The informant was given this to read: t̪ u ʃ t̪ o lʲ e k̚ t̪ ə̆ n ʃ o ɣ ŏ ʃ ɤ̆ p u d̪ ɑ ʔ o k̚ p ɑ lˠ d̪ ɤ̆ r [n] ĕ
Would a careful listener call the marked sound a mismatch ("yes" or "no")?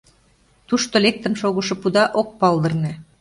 no